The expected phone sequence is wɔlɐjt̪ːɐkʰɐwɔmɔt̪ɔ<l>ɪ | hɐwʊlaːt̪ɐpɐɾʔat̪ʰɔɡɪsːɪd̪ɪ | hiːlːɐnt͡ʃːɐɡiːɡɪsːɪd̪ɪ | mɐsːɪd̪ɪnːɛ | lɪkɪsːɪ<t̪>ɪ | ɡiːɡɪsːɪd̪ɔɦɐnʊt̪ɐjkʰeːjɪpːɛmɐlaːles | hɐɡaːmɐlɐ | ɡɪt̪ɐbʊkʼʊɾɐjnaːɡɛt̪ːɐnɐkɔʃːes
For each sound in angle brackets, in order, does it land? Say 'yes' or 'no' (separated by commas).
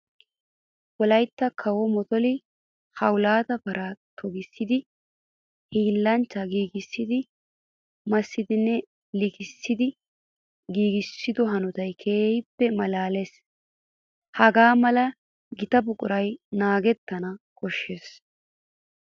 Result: yes, no